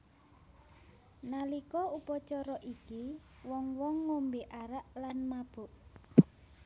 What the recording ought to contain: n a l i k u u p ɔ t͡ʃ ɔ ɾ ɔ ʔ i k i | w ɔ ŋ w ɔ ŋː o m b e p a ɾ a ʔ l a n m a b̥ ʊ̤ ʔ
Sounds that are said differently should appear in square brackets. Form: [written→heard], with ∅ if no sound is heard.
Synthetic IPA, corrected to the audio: n a l i k [u→ɔ] u p ɔ t͡ʃ ɔ ɾ ɔ ʔ i k i | w ɔ ŋ w ɔ ŋː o m b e [p→ʔ] a ɾ a ʔ l a n m a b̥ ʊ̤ ʔ